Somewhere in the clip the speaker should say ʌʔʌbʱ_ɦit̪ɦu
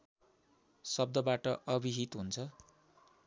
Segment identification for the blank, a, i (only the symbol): i